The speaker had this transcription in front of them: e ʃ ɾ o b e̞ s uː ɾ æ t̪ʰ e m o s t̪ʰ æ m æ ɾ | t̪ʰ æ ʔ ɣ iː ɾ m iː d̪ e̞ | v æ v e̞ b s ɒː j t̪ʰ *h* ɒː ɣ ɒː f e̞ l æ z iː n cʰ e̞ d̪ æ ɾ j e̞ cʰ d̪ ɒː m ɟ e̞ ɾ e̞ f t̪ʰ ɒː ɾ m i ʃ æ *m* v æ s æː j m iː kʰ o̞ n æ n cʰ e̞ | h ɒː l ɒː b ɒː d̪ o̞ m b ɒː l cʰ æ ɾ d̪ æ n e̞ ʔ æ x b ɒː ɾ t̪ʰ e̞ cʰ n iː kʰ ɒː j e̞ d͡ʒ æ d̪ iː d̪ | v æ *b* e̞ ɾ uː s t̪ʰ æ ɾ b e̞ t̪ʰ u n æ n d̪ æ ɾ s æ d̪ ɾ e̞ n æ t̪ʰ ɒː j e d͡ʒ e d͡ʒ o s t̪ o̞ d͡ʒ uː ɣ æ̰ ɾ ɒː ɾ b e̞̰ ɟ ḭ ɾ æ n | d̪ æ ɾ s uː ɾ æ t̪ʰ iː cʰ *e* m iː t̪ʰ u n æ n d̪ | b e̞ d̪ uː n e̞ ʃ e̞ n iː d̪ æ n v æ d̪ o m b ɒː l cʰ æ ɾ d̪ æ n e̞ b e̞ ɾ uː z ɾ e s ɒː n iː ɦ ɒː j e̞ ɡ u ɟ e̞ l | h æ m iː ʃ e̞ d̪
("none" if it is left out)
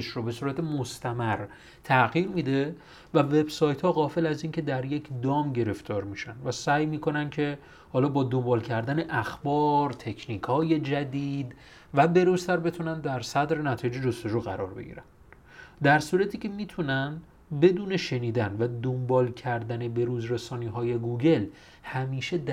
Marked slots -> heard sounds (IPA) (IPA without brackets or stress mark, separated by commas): h, n, b, e